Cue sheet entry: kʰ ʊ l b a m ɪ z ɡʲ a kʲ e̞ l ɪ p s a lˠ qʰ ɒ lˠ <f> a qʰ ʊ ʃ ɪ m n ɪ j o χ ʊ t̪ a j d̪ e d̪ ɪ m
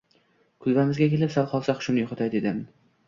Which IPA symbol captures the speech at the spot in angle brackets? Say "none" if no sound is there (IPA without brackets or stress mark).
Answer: s